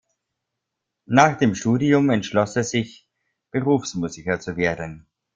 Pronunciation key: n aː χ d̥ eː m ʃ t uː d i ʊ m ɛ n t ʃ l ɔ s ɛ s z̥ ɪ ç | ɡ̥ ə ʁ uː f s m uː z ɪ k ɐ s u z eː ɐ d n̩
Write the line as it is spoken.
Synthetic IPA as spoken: n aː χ d̥ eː m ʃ t uː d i ʊ m ɛ n t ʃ l ɔ s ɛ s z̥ ɪ ç | b̥ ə ʁ uː f s m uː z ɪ k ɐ t͡s u v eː ɐ d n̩